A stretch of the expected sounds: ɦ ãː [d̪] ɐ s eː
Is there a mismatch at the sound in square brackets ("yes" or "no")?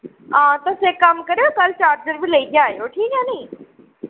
yes